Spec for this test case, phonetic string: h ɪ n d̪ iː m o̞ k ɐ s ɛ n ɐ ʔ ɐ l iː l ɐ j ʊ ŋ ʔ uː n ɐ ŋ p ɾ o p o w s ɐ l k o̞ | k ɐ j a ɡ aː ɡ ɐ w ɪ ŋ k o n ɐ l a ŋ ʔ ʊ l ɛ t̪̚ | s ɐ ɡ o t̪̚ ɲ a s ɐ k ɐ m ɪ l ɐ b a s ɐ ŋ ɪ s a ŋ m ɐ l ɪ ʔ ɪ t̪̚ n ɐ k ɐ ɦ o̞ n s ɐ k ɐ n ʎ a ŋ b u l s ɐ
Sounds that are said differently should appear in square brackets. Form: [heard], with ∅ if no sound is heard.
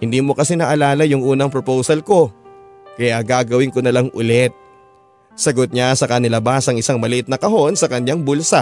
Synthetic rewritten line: h ɪ n d̪ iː m o̞ k ɐ s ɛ n ɐ ʔ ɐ l [aː] l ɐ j ʊ ŋ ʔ uː n ɐ ŋ p ɾ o p o w s ɐ l k o̞ | k ɐ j a ɡ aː ɡ ɐ w ɪ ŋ k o n ɐ l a ŋ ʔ ʊ l ɛ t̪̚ | s ɐ ɡ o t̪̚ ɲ a s ɐ k ɐ [n] ɪ l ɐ b a s ɐ ŋ ɪ s a ŋ m ɐ l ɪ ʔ ɪ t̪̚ n ɐ k ɐ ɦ o̞ n s ɐ k ɐ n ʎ a ŋ b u l s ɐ